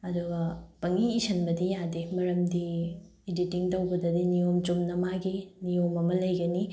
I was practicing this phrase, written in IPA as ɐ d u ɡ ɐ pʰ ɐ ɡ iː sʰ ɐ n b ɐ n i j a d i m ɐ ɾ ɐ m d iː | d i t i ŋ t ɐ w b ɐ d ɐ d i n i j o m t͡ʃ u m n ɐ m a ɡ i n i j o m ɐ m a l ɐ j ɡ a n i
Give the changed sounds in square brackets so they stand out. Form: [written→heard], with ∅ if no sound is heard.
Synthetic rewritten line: ɐ d u ɡ ɐ [pʰ→p] ɐ [ɡ→ŋ] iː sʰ ɐ n b ɐ [n→d] i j a d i m ɐ ɾ ɐ m d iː | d i t i ŋ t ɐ w b ɐ d ɐ d i n i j o m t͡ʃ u m n ɐ m a ɡ i n i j o m ɐ m [a→ɐ] l ɐ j ɡ [a→ɐ] n i